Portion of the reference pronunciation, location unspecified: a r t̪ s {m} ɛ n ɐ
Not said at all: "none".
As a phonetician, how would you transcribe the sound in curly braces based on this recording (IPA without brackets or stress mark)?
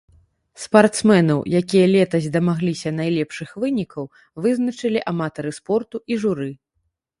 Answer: m